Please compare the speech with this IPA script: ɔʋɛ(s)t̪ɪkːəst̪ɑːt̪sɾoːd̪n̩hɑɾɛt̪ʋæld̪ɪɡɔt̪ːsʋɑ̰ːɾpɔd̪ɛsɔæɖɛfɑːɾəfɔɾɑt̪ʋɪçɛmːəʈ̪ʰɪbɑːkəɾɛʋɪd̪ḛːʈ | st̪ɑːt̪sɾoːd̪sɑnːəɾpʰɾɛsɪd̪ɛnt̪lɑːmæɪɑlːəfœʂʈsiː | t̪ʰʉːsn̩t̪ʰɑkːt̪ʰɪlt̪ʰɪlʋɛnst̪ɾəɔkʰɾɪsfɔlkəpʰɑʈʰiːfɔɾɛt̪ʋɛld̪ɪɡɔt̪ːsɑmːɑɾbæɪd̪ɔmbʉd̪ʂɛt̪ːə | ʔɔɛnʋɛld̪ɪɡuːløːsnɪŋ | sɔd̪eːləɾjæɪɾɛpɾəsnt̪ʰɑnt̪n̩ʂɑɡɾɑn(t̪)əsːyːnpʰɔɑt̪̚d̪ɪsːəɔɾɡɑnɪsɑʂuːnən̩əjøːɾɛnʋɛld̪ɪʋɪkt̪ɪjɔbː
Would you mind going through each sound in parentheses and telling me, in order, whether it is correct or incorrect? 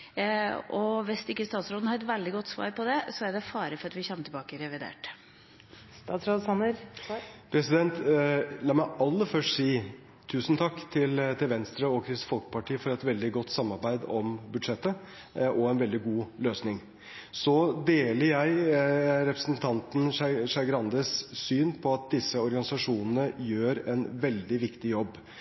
correct, incorrect

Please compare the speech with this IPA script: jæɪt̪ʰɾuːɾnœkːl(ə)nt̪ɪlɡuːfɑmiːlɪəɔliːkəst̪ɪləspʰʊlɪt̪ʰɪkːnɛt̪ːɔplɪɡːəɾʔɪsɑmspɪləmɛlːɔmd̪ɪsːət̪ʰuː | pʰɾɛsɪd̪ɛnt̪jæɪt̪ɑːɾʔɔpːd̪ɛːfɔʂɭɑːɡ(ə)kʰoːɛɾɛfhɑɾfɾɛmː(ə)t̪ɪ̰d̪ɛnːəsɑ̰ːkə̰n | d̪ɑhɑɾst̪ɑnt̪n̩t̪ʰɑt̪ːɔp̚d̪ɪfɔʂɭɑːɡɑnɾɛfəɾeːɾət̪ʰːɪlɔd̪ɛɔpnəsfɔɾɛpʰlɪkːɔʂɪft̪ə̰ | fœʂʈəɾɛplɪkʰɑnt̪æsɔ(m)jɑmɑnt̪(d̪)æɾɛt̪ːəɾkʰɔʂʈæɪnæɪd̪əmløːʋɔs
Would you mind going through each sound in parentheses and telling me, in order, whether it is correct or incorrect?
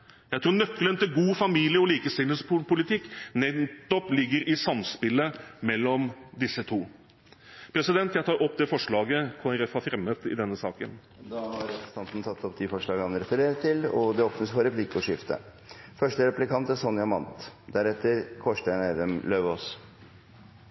correct, correct, correct, incorrect, correct

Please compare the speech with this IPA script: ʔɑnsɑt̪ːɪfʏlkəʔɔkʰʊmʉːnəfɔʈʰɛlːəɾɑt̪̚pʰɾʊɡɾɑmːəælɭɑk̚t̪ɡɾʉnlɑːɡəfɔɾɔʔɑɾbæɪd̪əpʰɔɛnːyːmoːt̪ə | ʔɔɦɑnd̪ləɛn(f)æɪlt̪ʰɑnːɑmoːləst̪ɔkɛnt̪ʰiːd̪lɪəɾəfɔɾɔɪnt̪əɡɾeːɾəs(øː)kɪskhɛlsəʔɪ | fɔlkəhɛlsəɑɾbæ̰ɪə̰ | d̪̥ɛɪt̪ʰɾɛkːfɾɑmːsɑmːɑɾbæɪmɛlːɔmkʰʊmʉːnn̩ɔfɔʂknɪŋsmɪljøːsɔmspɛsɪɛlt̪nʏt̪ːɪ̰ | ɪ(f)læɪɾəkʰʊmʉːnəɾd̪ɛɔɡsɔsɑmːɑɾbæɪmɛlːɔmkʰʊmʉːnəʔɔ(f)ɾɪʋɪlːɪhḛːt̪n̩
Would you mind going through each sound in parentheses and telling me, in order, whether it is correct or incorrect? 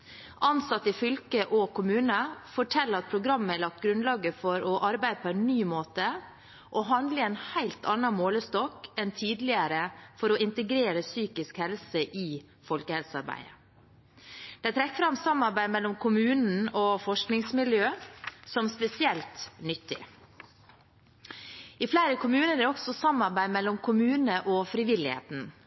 incorrect, incorrect, correct, correct

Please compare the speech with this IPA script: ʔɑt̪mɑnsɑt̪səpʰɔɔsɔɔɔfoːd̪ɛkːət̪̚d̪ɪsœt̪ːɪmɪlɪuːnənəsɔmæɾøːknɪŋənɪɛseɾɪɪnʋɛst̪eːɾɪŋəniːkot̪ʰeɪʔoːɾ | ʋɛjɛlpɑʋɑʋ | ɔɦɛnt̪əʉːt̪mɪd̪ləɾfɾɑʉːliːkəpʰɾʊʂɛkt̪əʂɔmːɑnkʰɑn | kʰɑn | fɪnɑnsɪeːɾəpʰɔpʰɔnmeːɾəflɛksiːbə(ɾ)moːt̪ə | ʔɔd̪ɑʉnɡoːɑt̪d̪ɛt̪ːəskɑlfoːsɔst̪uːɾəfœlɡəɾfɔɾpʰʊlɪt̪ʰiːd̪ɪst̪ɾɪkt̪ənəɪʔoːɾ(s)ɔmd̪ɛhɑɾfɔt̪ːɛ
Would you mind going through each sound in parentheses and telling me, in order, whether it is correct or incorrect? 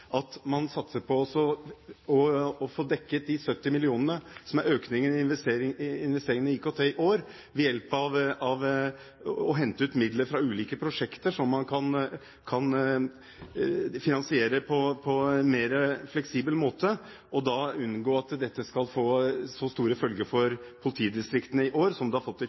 incorrect, correct

